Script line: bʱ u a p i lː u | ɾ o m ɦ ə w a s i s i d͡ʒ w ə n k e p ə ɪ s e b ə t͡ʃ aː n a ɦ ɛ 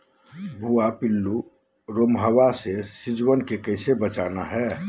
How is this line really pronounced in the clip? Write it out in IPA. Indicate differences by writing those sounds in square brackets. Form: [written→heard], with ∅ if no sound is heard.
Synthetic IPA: bʱ u a p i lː u | ɾ o m ɦ ə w a s [i→e] s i d͡ʒ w ə n k e [p→k] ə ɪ s e b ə t͡ʃ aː n a ɦ ɛ